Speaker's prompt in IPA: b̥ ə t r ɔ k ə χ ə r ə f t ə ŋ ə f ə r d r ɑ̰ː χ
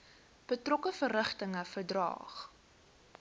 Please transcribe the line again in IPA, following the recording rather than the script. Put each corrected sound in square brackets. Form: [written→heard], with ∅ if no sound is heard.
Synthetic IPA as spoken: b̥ ə t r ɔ k ə [χ→f] ə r ə [f→χ] t ə ŋ ə f ə r d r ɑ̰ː χ